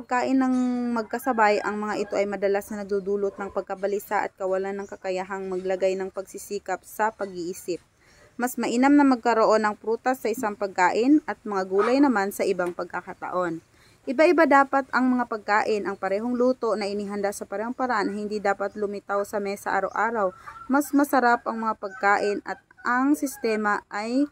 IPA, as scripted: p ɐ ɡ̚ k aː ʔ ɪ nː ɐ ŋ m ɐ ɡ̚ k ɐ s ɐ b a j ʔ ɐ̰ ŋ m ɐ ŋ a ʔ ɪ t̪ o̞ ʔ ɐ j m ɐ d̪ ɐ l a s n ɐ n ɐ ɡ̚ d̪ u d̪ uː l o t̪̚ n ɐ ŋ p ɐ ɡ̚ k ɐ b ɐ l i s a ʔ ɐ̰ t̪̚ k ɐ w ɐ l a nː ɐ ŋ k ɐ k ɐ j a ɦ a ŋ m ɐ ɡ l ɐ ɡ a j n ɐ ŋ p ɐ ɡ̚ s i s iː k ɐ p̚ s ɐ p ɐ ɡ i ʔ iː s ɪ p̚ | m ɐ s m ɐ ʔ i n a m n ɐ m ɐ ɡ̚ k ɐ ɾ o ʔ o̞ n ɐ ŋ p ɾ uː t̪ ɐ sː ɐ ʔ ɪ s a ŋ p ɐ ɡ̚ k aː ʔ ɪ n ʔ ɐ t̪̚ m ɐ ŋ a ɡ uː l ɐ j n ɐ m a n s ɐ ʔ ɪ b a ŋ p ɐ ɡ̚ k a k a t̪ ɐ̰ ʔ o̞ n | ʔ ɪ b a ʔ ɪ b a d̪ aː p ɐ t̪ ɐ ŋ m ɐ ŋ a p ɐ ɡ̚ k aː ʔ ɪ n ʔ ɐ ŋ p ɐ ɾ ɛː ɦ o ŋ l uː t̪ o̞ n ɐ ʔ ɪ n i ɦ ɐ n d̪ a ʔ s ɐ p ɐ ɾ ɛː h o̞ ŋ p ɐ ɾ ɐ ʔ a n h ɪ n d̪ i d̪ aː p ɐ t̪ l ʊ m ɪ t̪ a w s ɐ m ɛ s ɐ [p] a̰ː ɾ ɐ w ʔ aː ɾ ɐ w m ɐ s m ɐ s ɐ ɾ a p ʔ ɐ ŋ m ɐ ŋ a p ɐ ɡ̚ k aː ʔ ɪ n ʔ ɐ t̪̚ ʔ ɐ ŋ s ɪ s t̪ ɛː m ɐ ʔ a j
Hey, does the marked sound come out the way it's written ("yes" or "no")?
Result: no